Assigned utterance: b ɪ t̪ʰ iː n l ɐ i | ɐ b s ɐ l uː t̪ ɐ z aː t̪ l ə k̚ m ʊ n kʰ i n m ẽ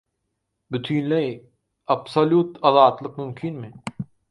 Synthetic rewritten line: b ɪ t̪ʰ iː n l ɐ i | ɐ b s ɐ l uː t̪ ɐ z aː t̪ l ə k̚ m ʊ m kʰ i n m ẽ